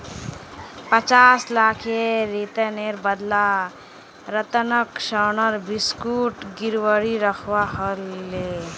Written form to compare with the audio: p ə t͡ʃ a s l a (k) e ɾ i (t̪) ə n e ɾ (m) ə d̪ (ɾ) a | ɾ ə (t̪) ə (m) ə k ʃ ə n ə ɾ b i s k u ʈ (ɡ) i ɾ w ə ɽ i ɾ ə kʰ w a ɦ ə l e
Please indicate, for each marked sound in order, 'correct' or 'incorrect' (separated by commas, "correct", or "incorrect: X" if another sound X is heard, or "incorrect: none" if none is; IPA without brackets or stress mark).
incorrect: kʰ, correct, incorrect: b, incorrect: l, correct, incorrect: n, correct